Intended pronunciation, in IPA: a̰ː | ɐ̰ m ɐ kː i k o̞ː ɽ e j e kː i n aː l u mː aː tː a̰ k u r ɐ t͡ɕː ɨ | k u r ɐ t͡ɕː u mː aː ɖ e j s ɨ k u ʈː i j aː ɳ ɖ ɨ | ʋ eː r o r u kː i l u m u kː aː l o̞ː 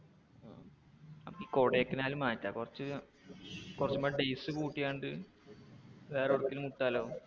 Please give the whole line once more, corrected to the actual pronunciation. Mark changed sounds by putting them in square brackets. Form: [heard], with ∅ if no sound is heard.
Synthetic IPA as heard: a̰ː | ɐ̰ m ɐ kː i k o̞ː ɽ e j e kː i n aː l u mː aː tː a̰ k u r ɐ t͡ɕː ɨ | k u r ɐ t͡ɕː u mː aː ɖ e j s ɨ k [uː] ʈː i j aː ɳ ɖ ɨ | ʋ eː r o [ɽ] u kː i l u m u [ʈː] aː l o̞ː

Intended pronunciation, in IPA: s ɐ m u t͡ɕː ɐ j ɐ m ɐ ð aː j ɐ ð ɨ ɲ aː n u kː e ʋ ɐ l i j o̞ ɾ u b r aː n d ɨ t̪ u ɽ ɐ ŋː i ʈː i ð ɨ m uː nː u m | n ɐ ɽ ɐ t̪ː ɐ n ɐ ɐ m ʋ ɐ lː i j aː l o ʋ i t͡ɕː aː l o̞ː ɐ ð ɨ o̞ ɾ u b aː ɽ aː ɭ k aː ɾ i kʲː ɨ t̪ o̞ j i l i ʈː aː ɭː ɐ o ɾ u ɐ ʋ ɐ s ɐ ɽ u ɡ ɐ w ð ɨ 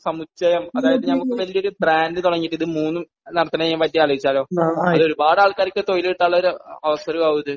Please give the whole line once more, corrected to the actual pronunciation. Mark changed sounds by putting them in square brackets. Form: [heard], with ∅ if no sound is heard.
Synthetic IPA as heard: s ɐ m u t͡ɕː ɐ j ɐ m ɐ ð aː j ɐ ð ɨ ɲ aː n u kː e ʋ ɐ l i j o̞ ɾ u b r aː n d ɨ t̪ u ɽ ɐ ŋː i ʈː i ð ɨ m uː nː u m | n ɐ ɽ ɐ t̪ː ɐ n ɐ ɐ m ʋ ɐ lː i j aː l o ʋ i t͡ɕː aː l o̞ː ɐ ð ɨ o̞ ɾ u b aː ɽ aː ɭ k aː ɾ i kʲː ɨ t̪ o̞ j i l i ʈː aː ɭː ɐ o ɾ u ɐ ʋ ɐ s ɐ [ɾ] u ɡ ɐ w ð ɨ

